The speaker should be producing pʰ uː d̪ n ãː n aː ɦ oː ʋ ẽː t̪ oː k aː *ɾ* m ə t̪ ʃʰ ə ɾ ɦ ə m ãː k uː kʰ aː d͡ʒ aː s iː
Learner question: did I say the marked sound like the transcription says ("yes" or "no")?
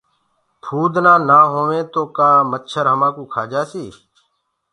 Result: no